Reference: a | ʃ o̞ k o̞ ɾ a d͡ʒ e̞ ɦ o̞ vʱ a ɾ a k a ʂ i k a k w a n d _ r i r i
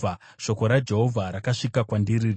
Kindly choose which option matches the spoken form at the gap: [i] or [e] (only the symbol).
i